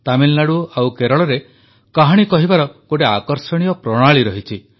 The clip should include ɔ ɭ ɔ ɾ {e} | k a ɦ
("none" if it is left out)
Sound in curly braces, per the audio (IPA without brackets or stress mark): e